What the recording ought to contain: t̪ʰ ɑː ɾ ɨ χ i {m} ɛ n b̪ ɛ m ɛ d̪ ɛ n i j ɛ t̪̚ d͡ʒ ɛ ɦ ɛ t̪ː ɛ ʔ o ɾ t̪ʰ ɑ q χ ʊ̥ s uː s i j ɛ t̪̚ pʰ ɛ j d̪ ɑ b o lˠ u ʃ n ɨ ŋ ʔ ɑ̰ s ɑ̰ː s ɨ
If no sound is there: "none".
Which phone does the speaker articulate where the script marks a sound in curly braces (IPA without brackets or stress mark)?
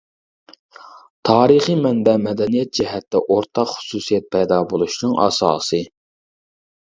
m